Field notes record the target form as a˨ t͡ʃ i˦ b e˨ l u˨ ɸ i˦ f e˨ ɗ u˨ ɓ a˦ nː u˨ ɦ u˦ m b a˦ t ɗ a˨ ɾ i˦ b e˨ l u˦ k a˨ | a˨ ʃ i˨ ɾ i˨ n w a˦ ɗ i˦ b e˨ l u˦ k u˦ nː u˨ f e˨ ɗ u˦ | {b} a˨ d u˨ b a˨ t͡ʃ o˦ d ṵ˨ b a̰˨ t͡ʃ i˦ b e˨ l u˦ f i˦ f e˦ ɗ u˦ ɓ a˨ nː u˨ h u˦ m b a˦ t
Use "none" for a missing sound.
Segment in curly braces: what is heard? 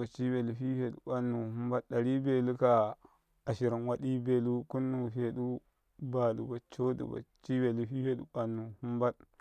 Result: b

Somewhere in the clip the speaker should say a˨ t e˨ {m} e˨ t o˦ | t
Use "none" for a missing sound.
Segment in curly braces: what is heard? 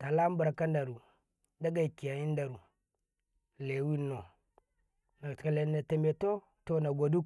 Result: m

